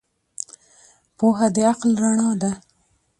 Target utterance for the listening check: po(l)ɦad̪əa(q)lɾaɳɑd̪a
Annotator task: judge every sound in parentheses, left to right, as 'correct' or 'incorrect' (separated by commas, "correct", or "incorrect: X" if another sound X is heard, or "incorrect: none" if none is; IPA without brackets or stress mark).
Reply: incorrect: none, correct